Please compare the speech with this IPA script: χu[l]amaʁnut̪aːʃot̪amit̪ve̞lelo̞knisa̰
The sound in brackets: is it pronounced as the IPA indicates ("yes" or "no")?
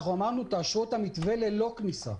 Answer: no